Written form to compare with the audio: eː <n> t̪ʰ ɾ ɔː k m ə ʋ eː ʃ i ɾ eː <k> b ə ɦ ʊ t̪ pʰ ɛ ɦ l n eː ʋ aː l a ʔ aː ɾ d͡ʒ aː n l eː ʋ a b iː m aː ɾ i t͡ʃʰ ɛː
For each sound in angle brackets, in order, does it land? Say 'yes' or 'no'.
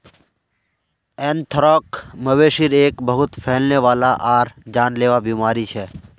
yes, yes

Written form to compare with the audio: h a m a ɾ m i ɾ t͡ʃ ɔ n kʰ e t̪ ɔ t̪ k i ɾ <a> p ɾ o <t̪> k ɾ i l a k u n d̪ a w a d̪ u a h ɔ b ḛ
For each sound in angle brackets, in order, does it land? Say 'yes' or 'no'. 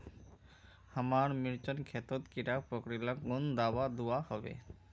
yes, no

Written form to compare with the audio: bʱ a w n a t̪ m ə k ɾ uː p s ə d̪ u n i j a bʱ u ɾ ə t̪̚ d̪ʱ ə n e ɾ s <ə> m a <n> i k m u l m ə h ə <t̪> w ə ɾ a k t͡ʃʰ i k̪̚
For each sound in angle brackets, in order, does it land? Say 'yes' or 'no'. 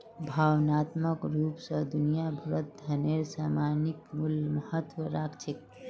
no, yes, yes

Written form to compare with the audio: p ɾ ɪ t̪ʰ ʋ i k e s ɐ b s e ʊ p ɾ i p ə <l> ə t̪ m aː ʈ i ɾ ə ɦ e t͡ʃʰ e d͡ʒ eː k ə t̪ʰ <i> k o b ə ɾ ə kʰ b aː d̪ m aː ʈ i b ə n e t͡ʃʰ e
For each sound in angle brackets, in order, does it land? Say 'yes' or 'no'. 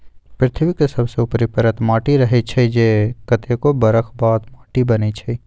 no, no

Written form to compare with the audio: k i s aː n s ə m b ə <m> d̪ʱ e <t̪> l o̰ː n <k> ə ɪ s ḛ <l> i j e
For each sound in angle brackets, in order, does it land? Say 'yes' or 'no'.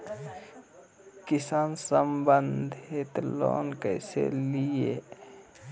no, yes, yes, yes

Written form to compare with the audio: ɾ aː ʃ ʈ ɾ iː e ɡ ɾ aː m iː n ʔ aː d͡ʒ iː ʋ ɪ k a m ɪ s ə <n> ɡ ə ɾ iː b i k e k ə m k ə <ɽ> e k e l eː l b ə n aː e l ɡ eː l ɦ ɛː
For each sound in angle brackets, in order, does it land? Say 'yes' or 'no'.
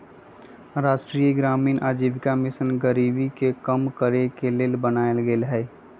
yes, no

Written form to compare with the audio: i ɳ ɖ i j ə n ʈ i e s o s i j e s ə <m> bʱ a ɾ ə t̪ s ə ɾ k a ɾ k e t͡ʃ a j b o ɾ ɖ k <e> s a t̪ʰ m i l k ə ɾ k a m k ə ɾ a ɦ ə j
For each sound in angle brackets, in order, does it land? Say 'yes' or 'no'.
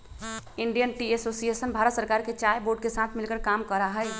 no, yes

